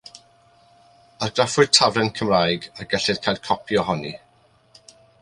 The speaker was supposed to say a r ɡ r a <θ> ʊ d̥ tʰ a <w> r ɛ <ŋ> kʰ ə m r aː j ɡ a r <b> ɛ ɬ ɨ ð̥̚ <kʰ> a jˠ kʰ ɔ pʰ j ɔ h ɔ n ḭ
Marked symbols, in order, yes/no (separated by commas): no, no, no, no, yes